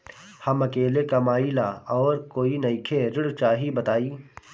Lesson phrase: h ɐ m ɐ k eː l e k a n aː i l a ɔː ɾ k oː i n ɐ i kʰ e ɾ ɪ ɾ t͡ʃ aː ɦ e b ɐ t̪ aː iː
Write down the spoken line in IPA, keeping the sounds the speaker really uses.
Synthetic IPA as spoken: h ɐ m ɐ k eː l e k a m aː i l a ɔː ɾ k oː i n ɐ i kʰ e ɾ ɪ ɽ t͡ʃ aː ɦ i b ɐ t̪ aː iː